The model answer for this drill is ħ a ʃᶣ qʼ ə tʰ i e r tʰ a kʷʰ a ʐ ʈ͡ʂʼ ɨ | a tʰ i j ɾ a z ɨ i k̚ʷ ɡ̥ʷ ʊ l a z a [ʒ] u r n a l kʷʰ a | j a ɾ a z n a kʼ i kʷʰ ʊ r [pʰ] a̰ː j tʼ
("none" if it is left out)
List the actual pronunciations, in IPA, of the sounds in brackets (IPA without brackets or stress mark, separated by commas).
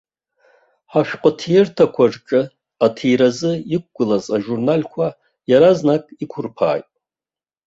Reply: ʒ, pʰ